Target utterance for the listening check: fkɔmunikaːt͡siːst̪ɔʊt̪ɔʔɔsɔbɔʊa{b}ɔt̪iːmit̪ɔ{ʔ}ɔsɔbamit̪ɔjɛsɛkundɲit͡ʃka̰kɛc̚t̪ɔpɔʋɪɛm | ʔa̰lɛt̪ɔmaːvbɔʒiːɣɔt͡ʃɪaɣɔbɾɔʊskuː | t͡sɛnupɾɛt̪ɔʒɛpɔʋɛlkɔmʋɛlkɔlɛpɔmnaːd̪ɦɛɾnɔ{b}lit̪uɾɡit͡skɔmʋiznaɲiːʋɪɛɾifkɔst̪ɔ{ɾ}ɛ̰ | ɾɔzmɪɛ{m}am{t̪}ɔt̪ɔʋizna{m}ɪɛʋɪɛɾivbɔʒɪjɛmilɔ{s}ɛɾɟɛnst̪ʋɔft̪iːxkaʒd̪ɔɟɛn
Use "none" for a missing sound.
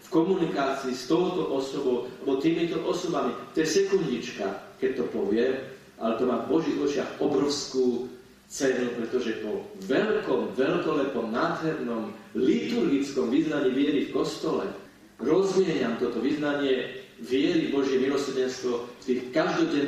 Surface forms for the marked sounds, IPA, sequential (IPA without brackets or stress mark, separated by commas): b, ʔ, m, l, ɲ, t̪, ɲ, s